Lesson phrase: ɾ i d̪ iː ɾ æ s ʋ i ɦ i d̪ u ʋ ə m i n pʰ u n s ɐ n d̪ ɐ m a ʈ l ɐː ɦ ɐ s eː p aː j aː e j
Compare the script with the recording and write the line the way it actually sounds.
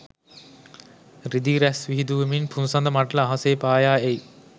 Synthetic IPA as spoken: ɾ i d̪ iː ɾ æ s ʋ i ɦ i d̪ u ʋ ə m i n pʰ u n s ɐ n d̪ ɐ m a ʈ l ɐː ɦ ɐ s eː p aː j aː e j